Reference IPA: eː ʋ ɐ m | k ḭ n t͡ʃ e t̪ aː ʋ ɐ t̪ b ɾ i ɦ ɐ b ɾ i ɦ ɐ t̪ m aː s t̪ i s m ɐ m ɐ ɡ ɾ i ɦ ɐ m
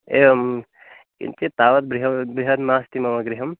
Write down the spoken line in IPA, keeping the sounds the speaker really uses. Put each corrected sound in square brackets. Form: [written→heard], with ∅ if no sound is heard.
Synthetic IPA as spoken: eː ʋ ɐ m | k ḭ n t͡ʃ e t̪ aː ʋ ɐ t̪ b ɾ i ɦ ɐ b ɾ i ɦ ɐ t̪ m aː s t̪ i [s→∅] m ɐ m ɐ ɡ ɾ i ɦ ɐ m

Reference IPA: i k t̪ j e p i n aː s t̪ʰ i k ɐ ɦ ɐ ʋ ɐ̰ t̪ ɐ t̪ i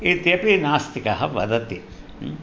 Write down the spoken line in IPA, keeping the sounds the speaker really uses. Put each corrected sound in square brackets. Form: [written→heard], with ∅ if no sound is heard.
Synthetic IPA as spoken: i [k→∅] t̪ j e p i n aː s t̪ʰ i k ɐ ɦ ɐ ʋ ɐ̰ [t̪→d̪] ɐ t̪ i

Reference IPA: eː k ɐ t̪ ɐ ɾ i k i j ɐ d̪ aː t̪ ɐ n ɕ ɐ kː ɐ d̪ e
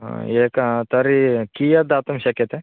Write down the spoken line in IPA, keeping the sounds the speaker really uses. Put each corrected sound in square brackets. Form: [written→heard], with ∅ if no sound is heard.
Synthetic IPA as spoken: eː k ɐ t̪ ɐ ɾ i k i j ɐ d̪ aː t̪ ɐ [n→m] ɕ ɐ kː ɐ [d̪→t̪] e

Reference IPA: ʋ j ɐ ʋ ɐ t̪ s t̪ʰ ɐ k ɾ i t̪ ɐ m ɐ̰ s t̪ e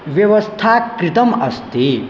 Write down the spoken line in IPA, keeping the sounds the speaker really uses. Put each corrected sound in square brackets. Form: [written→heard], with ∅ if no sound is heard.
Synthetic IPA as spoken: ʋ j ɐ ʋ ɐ [t̪→∅] s t̪ʰ [ɐ→a] k ɾ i t̪ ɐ m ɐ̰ s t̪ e

